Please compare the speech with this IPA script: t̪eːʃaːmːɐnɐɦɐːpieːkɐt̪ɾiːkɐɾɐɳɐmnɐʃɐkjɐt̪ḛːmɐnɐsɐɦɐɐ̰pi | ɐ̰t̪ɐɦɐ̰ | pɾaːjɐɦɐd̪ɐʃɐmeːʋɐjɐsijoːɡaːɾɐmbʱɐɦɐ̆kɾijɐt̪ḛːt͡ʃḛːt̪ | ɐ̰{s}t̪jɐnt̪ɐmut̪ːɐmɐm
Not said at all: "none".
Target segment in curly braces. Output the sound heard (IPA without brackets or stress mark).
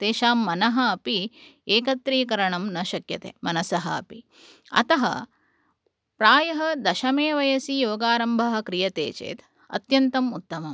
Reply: none